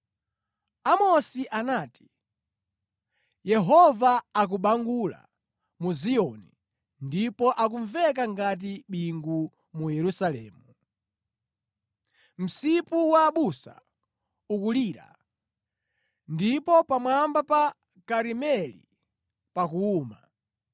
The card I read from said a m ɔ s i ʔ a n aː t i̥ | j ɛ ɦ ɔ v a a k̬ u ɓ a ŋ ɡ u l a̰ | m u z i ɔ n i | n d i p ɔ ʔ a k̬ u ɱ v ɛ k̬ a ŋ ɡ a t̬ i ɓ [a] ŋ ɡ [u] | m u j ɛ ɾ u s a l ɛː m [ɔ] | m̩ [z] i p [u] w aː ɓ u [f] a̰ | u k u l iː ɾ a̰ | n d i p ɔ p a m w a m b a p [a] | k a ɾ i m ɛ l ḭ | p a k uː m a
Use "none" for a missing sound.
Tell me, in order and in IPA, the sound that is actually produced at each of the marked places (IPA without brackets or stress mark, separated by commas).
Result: i, u, u, s, u, s, a